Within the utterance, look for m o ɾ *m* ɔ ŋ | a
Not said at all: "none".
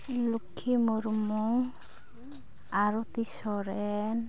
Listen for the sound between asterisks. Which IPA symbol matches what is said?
m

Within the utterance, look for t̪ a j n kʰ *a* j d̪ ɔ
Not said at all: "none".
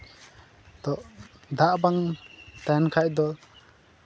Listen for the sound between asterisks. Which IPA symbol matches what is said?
a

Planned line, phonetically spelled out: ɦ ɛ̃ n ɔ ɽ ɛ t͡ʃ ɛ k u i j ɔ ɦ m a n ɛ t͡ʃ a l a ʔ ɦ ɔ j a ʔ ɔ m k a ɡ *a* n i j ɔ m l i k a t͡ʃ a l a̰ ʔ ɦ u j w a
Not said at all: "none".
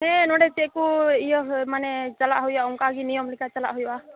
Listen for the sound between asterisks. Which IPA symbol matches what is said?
i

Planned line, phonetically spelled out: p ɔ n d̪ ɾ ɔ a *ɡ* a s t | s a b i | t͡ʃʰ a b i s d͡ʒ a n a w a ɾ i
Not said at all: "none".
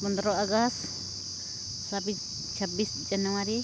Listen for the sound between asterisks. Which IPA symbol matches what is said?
ɡ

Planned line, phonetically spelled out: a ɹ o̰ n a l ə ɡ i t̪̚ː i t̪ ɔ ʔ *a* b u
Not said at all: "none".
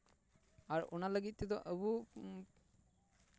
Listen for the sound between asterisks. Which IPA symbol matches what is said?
ə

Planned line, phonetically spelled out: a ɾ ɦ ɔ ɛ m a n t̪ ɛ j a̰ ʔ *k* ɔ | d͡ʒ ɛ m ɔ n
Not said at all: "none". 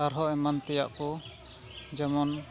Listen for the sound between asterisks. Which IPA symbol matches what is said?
k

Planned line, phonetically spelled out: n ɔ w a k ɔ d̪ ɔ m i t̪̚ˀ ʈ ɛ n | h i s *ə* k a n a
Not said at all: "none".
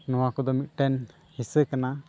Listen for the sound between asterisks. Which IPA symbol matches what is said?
ə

